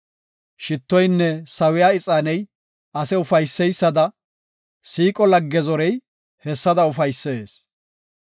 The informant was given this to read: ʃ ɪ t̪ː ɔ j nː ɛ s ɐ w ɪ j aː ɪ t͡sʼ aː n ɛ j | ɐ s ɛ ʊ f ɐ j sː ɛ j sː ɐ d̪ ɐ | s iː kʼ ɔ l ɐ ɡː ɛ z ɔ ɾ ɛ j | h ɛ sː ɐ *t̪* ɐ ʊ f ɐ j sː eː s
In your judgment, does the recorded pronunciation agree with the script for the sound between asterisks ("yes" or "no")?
no